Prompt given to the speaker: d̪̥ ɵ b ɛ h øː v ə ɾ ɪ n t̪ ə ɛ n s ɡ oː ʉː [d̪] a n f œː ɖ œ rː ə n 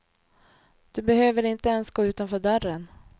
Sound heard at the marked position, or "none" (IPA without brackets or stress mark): t̪